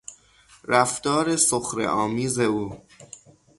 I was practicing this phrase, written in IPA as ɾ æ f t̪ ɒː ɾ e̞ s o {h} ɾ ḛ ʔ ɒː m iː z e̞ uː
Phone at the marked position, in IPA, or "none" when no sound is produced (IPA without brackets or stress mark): x